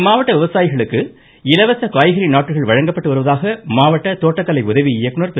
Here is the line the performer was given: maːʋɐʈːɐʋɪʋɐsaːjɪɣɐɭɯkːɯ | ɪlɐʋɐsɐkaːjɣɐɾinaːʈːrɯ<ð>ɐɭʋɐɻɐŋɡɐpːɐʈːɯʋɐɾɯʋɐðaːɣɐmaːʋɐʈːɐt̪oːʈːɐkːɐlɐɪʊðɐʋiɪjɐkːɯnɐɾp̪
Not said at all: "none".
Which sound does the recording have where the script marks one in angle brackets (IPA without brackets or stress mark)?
ɣ